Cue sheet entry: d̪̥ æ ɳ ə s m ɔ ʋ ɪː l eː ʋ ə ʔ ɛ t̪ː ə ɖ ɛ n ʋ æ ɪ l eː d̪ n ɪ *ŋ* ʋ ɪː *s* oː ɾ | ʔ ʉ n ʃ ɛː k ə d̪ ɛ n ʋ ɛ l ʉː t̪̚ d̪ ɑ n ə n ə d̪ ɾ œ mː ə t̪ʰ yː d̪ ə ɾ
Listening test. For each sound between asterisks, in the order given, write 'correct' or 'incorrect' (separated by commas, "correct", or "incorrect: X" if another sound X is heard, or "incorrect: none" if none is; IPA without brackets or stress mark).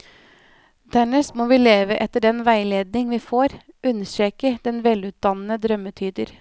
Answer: correct, incorrect: f